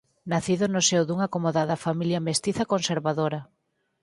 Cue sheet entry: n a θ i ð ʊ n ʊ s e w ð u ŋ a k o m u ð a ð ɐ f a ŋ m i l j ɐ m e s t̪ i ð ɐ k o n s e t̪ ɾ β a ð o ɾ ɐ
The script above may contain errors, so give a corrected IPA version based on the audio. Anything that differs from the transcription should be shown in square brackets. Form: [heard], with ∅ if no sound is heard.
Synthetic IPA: n a θ i ð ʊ n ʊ s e w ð u ŋ a k o m [o] ð a ð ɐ f a [∅] m i l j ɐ m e s t̪ i [θ] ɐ k o n s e [∅] ɾ β a ð o ɾ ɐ